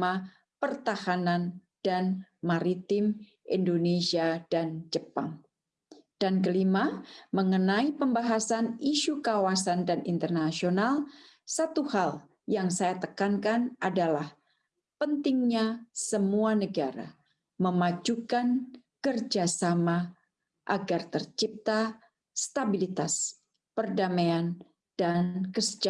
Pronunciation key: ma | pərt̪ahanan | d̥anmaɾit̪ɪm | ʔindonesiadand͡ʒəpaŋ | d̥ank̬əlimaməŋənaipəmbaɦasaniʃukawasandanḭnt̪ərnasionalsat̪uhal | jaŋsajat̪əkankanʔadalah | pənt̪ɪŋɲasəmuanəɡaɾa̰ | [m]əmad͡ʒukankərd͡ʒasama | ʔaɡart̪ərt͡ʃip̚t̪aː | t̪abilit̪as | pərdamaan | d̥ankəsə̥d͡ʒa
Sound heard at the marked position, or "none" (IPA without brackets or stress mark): m